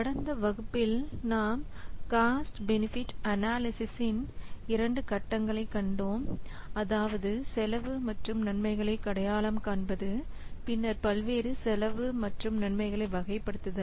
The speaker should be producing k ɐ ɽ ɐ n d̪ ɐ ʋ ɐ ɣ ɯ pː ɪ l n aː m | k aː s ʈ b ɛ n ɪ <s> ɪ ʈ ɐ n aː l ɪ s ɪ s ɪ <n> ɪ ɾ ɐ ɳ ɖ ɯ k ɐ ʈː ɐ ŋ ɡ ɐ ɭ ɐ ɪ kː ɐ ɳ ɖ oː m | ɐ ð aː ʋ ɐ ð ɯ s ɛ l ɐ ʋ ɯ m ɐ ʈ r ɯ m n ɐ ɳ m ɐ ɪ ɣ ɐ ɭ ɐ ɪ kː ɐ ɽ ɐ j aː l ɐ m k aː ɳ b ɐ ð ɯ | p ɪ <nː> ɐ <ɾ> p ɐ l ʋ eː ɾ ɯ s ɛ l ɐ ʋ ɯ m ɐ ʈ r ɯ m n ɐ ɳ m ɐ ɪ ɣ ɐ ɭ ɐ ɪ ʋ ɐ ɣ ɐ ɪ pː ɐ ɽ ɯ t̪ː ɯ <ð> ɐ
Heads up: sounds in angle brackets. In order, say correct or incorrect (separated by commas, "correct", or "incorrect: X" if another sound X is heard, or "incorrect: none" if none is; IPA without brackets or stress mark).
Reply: incorrect: f, correct, correct, correct, correct